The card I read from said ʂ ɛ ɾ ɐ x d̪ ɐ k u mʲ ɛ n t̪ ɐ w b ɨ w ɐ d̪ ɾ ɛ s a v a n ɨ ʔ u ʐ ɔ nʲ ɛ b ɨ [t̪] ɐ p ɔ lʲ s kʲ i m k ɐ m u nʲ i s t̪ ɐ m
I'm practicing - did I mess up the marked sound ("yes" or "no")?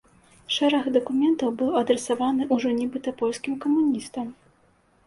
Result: no